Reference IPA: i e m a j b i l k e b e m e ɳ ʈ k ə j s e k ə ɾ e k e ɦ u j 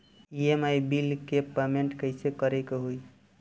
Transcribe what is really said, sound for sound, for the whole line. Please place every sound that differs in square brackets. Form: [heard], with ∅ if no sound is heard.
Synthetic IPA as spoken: i e m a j b i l k e [p] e m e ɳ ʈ k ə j s e k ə ɾ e k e ɦ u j